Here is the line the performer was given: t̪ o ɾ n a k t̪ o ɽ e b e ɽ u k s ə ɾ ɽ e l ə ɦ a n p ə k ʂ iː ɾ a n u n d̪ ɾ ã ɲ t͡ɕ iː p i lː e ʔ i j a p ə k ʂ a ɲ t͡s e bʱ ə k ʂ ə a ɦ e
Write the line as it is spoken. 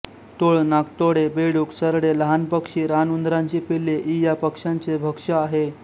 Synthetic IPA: t̪ o ɭ n a k t̪ o ɽ e b e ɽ u k s ə ɾ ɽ e l ə ɦ a n p ə k ʂ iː ɾ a n u n d̪ ɾ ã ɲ t͡ɕ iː p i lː e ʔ i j a p ə k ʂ a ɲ t͡s e bʱ ə k ʂ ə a ɦ e